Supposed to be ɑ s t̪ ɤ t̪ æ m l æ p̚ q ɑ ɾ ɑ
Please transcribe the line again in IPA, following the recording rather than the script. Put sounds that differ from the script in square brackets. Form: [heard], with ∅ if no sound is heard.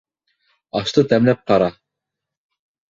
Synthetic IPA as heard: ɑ [ʃ] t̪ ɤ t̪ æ m l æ p̚ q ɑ ɾ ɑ